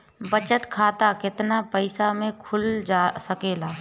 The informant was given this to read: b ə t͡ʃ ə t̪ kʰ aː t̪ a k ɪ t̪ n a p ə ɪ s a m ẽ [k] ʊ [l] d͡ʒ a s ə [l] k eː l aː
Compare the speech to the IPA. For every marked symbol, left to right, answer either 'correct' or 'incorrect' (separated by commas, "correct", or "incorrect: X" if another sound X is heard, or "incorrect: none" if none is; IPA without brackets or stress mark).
incorrect: kʰ, correct, incorrect: none